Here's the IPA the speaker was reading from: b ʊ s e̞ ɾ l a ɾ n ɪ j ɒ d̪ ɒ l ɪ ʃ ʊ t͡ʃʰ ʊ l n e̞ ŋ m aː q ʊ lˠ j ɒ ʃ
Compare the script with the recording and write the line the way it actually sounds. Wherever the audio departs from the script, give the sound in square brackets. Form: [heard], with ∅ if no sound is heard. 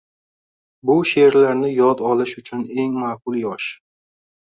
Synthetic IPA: b ʊ [ʃ] e̞ ɾ l a ɾ n ɪ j ɒ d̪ ɒ l ɪ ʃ ʊ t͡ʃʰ ʊ [∅] n e̞ ŋ m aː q ʊ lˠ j ɒ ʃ